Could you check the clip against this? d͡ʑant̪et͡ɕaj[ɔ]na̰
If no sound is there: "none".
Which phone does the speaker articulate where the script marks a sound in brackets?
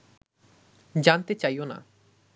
o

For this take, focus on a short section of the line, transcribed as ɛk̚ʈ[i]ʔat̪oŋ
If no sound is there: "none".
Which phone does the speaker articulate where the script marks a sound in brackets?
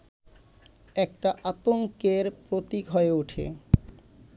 a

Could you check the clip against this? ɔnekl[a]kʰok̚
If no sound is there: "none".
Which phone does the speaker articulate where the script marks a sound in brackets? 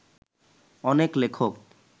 e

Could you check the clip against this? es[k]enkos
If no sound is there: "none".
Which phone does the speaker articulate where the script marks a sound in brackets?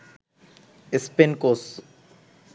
p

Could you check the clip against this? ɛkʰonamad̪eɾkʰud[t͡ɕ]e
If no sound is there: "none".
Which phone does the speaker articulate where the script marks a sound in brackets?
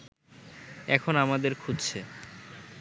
t͡ɕʰ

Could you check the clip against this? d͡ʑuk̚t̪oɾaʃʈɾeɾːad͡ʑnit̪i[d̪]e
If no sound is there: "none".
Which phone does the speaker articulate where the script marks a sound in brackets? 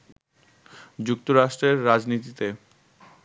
t̪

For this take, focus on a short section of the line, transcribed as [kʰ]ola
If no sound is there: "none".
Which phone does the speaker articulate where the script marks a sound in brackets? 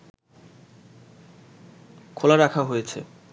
kʰ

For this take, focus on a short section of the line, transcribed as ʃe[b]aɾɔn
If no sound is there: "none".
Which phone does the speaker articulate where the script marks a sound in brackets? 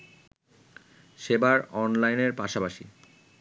b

